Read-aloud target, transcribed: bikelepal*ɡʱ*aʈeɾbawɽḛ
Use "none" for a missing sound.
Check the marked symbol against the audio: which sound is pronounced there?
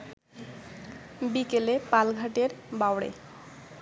ɡʱ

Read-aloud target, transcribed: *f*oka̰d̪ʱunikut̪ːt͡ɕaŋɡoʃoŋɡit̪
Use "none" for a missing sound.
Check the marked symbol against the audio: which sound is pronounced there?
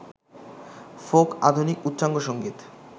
f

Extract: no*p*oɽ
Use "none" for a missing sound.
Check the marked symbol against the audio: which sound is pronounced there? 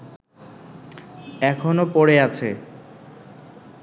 p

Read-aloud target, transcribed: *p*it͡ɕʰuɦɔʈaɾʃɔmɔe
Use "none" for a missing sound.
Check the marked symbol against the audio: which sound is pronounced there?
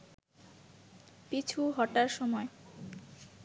p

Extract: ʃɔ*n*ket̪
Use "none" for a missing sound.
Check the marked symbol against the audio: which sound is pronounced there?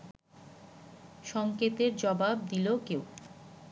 ŋ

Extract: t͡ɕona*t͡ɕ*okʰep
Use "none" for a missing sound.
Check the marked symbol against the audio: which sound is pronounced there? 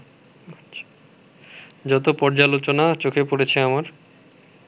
t͡ɕ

